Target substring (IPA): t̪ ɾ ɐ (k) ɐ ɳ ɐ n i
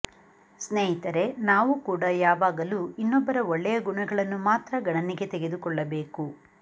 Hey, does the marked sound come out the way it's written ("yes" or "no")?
no